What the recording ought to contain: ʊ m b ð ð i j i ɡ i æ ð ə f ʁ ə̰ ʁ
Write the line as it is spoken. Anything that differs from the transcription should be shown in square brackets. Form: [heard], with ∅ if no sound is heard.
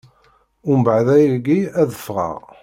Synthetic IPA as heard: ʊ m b [ʕ] ð [æ] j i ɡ i æ ð ə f ʁ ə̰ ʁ